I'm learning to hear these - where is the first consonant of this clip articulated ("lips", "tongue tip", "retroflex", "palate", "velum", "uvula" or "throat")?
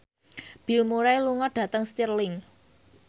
lips